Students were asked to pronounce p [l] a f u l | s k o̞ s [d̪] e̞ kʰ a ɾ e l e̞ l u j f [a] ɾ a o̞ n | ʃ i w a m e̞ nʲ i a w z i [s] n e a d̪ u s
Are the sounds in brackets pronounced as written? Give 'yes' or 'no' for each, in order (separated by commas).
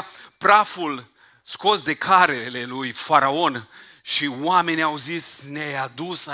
no, yes, yes, yes